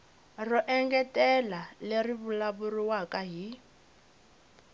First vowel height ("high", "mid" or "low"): mid